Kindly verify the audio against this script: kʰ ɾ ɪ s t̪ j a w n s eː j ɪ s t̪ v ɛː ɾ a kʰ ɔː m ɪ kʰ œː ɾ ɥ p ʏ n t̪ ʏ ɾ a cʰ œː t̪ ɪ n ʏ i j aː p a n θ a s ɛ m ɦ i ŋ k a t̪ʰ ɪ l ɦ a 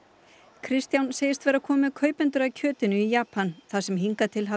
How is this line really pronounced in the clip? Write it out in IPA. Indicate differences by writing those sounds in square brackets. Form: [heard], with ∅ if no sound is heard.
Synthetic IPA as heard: kʰ ɾ ɪ s t̪ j a w n s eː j ɪ s t̪ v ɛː ɾ a kʰ ɔː m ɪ kʰ œː [∅] ɥ p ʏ n t̪ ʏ ɾ a cʰ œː t̪ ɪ n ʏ i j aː p a n θ a s ɛ m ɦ i ŋ k a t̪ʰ ɪ l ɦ a